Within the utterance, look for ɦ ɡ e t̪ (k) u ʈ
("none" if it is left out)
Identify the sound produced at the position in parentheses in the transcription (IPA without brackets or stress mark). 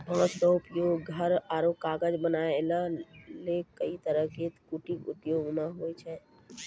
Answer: k